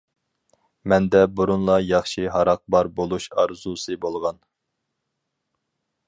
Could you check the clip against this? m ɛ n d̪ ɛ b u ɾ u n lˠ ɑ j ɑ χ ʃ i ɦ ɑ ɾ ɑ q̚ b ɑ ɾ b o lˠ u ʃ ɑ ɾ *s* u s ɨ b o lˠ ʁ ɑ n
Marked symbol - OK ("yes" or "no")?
no